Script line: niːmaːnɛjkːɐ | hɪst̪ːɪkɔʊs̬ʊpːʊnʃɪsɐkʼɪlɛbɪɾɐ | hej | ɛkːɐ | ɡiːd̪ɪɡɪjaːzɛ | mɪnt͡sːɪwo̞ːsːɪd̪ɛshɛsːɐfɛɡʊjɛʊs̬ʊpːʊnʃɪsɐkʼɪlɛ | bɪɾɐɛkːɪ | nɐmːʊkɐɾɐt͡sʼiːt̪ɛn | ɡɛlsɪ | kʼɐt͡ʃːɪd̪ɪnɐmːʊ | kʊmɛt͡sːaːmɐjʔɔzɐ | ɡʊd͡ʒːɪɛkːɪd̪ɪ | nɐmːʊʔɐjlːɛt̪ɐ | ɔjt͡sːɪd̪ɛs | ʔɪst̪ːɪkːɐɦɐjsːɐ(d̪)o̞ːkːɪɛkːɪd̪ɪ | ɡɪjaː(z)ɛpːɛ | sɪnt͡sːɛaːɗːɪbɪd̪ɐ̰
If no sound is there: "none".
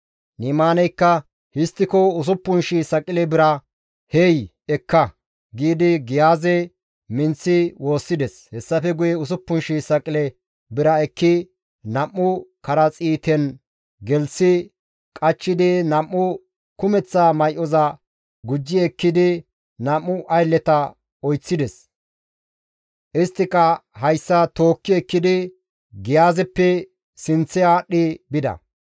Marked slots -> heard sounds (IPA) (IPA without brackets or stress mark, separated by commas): t̪, z